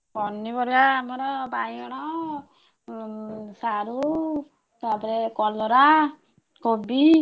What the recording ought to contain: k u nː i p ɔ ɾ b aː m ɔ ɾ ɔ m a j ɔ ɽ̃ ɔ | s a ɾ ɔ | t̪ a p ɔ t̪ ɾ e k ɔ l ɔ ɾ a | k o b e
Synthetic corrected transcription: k ɔ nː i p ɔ ɾ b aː m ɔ ɾ ɔ b a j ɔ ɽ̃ ɔ | s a ɾ u | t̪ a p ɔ ɾ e k ɔ l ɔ ɾ a | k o b i